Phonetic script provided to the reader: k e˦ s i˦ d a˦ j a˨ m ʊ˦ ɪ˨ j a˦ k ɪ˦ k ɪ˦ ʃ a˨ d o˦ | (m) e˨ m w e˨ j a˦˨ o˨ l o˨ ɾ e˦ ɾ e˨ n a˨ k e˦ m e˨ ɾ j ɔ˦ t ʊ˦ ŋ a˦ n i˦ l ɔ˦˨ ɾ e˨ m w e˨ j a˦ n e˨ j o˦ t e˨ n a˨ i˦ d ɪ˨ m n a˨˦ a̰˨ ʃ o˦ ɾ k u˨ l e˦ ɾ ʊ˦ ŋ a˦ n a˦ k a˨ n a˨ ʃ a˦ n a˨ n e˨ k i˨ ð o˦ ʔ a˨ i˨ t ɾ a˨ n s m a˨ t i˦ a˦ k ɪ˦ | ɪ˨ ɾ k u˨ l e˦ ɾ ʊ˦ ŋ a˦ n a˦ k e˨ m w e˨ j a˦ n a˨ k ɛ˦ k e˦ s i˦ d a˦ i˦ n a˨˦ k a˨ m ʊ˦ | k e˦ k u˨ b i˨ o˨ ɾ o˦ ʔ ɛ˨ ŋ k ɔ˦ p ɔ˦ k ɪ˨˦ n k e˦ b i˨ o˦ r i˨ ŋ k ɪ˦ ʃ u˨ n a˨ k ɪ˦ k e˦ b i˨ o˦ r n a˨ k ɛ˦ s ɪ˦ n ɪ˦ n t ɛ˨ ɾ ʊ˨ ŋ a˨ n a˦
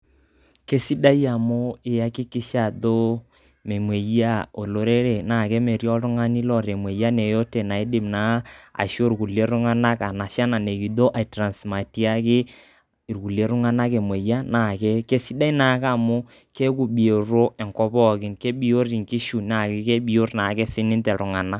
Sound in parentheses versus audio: correct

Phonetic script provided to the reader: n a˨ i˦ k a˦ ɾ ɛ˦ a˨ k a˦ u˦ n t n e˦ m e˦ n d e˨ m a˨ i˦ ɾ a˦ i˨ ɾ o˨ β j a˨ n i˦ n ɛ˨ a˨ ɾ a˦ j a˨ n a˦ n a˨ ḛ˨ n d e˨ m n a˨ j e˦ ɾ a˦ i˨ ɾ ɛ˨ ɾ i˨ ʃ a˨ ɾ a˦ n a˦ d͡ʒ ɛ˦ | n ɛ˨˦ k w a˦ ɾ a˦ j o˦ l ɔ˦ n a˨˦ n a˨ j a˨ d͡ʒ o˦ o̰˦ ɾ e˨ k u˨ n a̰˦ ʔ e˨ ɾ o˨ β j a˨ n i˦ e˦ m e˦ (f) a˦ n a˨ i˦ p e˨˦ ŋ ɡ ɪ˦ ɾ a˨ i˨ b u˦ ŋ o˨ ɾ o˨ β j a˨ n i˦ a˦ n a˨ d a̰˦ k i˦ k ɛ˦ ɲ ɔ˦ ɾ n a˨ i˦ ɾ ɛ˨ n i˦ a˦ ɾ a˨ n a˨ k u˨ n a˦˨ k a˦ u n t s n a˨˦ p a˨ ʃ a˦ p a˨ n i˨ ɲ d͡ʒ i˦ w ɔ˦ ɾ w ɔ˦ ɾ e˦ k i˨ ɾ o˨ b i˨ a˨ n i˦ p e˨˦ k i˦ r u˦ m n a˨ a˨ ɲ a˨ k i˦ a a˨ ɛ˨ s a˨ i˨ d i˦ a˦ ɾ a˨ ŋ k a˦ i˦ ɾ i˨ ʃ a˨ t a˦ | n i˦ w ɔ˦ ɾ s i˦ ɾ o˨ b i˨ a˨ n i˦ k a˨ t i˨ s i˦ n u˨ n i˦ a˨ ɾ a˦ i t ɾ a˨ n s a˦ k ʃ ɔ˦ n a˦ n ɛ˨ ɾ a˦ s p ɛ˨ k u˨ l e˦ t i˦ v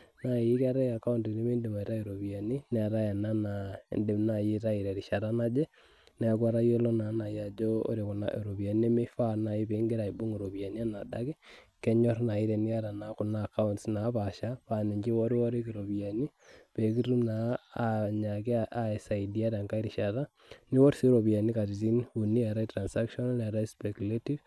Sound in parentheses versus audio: correct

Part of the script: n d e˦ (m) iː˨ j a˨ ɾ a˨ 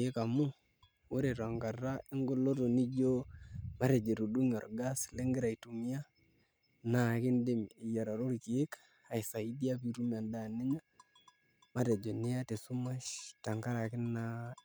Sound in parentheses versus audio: correct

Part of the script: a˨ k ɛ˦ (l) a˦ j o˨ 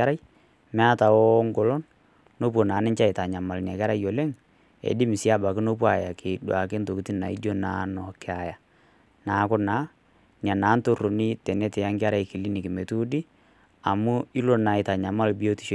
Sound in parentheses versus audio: incorrect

